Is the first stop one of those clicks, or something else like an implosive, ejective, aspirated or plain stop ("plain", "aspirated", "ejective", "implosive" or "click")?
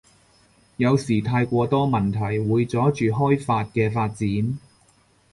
aspirated